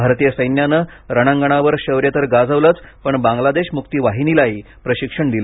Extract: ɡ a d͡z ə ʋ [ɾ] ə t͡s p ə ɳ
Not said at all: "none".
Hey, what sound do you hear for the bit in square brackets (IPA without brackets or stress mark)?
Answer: l